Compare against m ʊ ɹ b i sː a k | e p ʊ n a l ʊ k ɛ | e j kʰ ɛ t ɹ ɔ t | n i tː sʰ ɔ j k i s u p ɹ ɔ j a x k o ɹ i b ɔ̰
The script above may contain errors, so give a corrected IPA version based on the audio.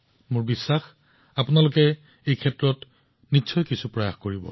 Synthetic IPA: m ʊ ɹ b i sː a x | a p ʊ n a l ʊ k ɛ | e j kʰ ɛ t ɹ ɔ t | n i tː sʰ ɔ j k i s u p ɹ ɔ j a x k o ɹ i b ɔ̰